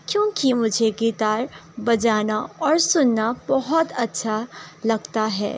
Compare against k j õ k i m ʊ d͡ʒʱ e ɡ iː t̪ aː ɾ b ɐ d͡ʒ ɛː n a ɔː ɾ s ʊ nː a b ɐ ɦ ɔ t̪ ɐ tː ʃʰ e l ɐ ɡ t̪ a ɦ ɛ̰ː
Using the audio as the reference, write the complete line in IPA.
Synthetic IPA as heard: k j õː k i m ʊ d͡ʒʱ e ɡ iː t̪ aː ɾ b ɐ d͡ʒ aː n a ɔː ɾ s ʊ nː a b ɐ ɦ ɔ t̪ ɐ tː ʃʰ a l ɐ ɡ t̪ a ɦ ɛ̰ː

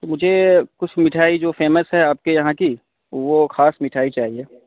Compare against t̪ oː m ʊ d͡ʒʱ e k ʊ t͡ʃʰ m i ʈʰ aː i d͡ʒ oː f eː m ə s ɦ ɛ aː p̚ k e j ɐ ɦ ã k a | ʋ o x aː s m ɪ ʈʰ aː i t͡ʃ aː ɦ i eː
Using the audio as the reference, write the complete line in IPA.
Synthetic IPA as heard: t̪ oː m ʊ d͡ʒʱ e k ʊ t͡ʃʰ m ɪ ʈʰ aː i d͡ʒ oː f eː m ə s ɦ ɛ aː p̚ k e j ɐ ɦ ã k i | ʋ o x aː s m ɪ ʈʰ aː i t͡ʃ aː ɦ i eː

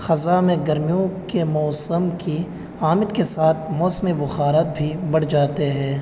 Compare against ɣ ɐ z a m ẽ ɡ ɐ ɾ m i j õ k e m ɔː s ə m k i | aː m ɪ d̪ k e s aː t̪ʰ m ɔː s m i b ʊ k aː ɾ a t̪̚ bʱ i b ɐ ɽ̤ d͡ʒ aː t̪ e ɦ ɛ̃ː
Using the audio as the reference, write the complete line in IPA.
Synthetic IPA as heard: x ɐ z a m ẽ ɡ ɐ ɾ m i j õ k e m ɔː s ə m k i | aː m ɪ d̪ k e s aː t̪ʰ m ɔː s m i b ʊ x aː ɾ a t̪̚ bʱ i b ɐ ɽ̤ d͡ʒ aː t̪ e ɦ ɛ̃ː

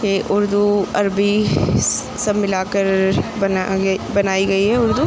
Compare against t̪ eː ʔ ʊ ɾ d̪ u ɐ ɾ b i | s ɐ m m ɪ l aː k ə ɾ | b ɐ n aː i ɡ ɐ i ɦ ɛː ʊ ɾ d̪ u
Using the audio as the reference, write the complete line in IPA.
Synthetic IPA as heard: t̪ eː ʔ ʊ ɾ d̪ u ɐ ɾ b i | s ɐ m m ɪ l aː k ə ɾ | b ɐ n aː i ɡ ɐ i ɦ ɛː ʊ ɾ d̪ u

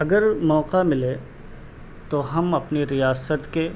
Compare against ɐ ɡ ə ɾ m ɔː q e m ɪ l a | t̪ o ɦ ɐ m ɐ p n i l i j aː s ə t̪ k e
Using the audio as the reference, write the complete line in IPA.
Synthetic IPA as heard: ɐ ɡ ə ɾ m ɔː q a m ɪ l e | t̪ o ɦ ɐ m ɐ p n i ɾ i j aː s ə t̪ k e

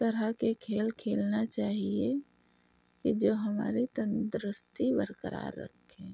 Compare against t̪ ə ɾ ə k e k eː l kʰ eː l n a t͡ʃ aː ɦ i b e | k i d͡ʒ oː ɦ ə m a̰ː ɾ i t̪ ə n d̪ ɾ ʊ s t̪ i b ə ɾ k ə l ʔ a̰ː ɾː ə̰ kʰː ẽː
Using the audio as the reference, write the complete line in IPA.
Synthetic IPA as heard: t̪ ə ɾ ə k e kʰ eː l kʰ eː l n a t͡ʃ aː ɦ i e | k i d͡ʒ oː ɦ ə m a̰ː ɾ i t̪ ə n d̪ ɾ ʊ s t̪ i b ə ɾ k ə ɾ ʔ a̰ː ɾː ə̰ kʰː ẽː

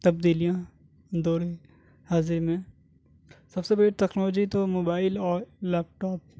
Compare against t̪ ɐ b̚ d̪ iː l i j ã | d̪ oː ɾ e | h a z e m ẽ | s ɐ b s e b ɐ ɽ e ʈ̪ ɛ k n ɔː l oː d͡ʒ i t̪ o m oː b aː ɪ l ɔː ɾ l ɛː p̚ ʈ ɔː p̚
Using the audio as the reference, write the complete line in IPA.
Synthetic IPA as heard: t̪ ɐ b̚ d̪ iː l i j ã | d̪ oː ɾ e | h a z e m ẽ | s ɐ b s e b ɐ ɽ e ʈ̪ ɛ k n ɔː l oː d͡ʒ i t̪ o m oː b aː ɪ l ɔː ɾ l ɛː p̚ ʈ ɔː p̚

